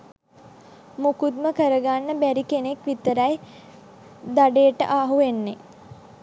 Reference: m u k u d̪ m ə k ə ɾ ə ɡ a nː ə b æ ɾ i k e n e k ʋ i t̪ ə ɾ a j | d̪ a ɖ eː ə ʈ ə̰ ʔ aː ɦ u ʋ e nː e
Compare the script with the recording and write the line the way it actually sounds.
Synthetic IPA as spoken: m u k u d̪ m ə k ə ɾ ə ɡ a nː ə b æ ɾ i k e n e k ʋ i t̪ ə ɾ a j | d̪ a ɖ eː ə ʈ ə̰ ʔ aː ɦ u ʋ e nː e